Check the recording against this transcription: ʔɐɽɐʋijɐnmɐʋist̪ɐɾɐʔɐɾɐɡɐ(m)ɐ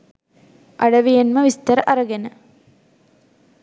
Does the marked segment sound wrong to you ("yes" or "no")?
yes